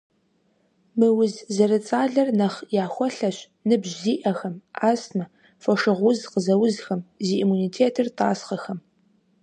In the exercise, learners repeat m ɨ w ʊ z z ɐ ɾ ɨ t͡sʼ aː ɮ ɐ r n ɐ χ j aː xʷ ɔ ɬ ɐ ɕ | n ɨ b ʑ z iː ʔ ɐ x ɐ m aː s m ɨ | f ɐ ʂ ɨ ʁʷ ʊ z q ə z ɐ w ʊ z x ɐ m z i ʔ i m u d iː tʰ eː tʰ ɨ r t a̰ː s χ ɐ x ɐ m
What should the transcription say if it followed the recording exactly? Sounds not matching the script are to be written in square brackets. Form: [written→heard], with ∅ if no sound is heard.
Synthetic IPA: m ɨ w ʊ z z ɐ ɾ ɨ t͡sʼ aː ɮ ɐ r n ɐ χ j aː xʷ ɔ ɬ ɐ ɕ | n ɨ b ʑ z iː ʔ ɐ x ɐ m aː s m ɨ | f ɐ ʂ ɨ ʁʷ ʊ z q ə z ɐ w ʊ z x ɐ m z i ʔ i m u [d→n] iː tʰ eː tʰ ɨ r t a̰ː s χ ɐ x ɐ m